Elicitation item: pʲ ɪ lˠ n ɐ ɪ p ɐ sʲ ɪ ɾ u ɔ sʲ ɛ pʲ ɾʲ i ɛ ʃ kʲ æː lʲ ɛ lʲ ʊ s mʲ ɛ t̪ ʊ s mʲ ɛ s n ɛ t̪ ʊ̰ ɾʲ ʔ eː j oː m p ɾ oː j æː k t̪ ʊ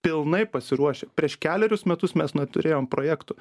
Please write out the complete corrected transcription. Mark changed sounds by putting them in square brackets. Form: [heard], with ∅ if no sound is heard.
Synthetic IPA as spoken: pʲ ɪ lˠ n ɐ ɪ p ɐ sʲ ɪ ɾ u ɔ [ʃʲ] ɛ pʲ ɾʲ i ɛ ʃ kʲ æː lʲ ɛ [ɾʲ] ʊ s mʲ ɛ t̪ ʊ s mʲ ɛ s n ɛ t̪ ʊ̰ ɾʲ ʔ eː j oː m p ɾ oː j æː k t̪ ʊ